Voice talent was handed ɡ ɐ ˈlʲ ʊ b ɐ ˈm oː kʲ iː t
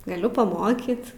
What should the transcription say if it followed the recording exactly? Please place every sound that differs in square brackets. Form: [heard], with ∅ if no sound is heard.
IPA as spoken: ɡ ɐ ˈlʲ ʊ [p] ɐ ˈm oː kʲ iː t